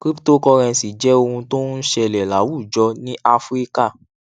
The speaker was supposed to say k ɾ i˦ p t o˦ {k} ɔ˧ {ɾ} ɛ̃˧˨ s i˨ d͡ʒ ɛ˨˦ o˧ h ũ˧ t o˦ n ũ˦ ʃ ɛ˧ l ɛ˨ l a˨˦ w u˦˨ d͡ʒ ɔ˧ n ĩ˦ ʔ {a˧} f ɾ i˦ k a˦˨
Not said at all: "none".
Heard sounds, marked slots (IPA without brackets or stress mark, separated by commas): k, ɾ, a˧